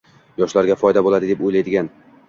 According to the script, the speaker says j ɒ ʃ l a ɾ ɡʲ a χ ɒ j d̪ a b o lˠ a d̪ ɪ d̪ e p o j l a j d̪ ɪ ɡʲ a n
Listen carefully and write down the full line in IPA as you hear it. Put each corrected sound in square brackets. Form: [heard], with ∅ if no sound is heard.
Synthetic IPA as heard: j ɒ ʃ l a ɾ ɡʲ a [f] ɒ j d̪ a b o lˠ a d̪ ɪ d̪ e p o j l a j d̪ ɪ ɡʲ a n